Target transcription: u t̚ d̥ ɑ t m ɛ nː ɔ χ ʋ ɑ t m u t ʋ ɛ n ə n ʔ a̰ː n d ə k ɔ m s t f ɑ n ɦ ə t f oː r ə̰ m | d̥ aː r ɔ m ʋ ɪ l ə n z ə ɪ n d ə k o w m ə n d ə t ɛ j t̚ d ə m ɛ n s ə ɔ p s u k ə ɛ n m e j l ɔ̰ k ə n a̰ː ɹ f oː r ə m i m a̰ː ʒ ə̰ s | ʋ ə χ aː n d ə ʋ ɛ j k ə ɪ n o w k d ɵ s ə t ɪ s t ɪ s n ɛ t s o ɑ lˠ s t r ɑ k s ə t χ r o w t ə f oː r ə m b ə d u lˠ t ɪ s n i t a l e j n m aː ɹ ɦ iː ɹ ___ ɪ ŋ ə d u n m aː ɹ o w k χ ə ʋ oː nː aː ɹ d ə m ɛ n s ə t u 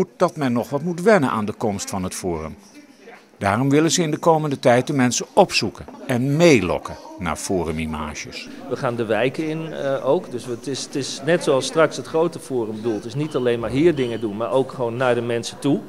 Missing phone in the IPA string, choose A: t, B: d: B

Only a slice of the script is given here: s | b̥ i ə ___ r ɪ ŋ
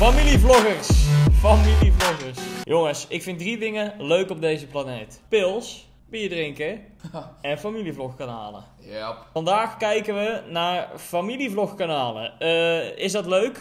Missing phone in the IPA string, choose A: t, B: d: B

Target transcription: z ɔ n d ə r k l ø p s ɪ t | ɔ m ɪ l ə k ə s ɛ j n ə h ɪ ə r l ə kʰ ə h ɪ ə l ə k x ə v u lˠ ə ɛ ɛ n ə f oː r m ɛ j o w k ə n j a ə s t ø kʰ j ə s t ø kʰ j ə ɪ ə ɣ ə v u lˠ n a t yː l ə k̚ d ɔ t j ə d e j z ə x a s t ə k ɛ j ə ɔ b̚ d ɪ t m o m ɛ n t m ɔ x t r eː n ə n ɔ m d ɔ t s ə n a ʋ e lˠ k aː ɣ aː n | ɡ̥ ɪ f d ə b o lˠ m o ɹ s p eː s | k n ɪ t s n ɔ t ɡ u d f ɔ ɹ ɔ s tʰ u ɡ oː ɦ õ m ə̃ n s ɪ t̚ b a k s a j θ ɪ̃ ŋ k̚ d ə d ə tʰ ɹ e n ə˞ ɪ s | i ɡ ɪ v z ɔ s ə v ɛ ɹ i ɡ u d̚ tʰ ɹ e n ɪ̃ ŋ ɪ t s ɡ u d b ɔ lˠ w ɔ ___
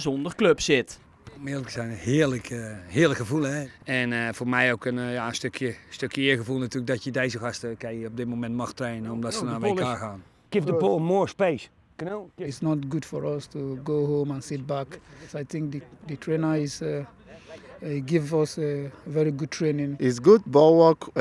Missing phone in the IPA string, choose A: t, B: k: B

